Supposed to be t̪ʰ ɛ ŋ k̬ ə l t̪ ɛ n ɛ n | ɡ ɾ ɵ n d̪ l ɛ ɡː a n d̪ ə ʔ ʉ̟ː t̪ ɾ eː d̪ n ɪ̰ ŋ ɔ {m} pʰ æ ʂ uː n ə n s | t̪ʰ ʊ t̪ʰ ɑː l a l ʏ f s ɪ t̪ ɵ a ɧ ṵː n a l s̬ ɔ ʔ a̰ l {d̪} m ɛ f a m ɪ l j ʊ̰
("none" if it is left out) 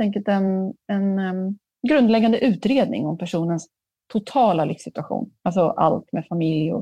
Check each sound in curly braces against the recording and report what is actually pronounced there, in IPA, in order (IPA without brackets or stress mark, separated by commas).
m, t̪